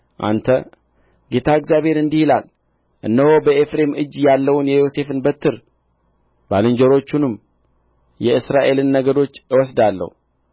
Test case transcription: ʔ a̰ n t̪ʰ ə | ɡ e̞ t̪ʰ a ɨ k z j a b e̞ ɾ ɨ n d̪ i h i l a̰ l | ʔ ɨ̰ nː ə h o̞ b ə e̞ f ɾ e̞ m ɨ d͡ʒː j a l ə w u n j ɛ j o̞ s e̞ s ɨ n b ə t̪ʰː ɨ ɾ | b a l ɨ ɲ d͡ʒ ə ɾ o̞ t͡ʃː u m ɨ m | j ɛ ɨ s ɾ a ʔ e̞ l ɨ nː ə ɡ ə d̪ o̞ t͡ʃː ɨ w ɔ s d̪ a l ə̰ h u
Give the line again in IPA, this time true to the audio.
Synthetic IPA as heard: ʔ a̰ n t̪ʰ ə | ɡ e̞ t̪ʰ a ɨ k z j a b e̞ ɾ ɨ n d̪ i h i l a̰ l | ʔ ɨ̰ nː ə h o̞ b ə e̞ f ɾ e̞ m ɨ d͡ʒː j a lː ə w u n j ɛ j o̞ s e̞ f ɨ n b ə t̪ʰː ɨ ɾ | b a l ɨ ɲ d͡ʒ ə ɾ o̞ t͡ʃː u n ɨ m | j ɛ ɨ s ɾ a ʔ e̞ l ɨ nː ə ɡ ə d̪ o̞ t͡ʃː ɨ w ɔ s d̪ a lː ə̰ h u